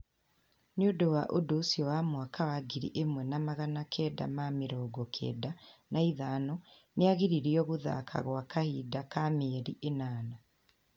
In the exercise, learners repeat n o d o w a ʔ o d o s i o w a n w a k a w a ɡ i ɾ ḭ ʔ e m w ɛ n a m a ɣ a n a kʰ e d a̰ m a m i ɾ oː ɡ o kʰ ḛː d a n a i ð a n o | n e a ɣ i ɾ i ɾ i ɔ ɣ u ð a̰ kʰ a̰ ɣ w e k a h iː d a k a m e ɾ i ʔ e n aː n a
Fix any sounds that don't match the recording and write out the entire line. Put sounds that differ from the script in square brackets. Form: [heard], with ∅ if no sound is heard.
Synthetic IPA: n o d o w a ʔ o d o s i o w a [m] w a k a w a ɡ i ɾ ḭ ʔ e m w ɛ n a m a ɣ a n a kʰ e d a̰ m a m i ɾ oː ɡ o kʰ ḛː d a n a i ð a n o | n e a ɣ i ɾ i ɾ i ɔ ɣ u ð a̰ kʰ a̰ ɣ w [a] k a h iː d a k a m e ɾ i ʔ e n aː n a